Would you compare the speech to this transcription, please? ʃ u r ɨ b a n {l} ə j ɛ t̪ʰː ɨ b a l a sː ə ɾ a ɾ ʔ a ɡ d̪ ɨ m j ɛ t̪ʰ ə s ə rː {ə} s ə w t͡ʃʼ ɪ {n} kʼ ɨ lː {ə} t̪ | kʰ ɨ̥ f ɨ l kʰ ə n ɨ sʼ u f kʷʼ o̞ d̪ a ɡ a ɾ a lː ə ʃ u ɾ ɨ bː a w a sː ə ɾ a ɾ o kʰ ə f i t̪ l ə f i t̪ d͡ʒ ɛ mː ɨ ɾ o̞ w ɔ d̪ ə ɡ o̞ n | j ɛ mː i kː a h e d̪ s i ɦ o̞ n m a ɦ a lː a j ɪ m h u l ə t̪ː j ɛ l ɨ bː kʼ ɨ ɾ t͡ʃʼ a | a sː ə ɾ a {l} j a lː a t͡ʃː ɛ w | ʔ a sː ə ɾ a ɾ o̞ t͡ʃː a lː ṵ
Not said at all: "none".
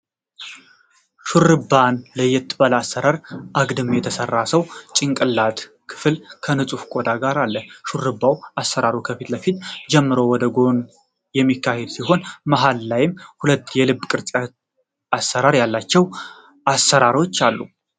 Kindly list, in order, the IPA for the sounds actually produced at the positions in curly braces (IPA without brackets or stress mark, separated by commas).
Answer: l, a, ŋ, a, ɾ